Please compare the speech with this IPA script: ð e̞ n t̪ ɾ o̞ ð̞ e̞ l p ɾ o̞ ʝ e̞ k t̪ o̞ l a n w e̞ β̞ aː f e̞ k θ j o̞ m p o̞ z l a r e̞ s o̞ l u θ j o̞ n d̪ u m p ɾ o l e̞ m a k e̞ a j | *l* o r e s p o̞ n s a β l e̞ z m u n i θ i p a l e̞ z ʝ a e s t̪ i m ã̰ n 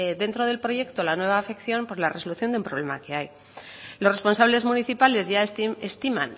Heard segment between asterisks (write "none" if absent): l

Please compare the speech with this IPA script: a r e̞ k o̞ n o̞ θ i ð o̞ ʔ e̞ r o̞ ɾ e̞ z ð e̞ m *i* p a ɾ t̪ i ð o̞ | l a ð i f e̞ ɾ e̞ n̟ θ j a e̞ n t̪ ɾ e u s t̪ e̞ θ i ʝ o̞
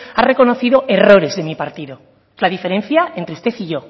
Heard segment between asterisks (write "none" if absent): i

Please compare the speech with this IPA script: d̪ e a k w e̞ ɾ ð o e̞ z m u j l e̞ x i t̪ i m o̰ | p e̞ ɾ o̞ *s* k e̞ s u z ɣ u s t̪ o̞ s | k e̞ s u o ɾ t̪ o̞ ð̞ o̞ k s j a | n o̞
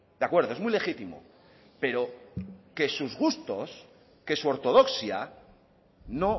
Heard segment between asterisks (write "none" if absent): none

